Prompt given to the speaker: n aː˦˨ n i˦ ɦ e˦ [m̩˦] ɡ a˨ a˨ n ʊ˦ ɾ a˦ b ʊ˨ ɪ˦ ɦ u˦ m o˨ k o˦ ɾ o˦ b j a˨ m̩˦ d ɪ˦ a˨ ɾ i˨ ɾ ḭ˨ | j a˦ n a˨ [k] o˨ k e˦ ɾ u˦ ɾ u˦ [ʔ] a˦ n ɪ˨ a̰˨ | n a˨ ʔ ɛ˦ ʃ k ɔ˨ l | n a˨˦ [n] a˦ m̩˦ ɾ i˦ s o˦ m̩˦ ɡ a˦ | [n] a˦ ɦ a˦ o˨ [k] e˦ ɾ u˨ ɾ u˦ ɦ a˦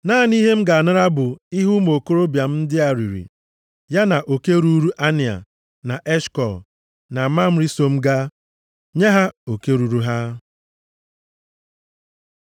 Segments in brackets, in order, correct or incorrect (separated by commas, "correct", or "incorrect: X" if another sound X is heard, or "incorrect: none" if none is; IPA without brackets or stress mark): correct, incorrect: ʔ, correct, incorrect: m, incorrect: ɲ, correct